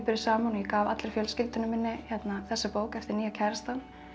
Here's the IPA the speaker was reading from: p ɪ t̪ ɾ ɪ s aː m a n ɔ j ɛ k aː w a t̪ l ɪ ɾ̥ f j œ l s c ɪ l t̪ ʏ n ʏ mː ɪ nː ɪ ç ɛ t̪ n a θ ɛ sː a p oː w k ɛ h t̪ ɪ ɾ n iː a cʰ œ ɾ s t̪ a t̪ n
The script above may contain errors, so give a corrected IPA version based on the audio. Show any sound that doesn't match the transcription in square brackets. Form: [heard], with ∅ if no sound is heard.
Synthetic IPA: p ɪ [∅] ɾ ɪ s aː m a n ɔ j ɛ k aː [v] a t̪ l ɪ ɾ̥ f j œ l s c ɪ l t̪ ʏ n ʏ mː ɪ nː ɪ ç ɛ t̪ n a θ ɛ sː a p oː w k ɛ [f] t̪ ɪ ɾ n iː a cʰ [ɛ] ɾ s t̪ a [∅] n